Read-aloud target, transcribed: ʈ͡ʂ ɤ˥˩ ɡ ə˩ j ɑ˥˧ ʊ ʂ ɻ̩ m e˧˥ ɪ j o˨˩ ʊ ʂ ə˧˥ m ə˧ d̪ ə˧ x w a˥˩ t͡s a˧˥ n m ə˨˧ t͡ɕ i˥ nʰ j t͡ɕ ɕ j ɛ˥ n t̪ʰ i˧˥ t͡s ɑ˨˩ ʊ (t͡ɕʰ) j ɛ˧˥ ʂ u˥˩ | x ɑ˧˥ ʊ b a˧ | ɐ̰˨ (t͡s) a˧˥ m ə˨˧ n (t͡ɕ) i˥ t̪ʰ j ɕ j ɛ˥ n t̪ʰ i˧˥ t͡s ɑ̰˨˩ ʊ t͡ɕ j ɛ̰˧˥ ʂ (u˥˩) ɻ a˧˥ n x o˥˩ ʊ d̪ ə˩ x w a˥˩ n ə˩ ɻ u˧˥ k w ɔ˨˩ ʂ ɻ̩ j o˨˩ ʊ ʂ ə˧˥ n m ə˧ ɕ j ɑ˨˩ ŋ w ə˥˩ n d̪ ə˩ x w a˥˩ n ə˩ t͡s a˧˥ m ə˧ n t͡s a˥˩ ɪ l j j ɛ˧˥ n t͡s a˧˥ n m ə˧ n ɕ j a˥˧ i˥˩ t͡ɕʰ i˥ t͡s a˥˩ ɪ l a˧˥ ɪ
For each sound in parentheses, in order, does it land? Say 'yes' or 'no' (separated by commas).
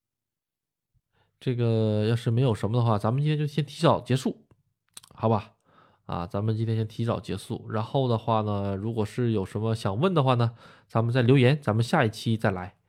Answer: no, yes, yes, yes